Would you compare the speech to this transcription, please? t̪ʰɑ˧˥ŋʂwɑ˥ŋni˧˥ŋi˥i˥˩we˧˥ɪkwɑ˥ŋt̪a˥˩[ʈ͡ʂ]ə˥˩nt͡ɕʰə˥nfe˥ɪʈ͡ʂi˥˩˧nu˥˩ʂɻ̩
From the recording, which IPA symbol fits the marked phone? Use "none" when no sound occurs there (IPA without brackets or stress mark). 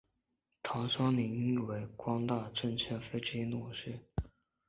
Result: ʈ͡ʂ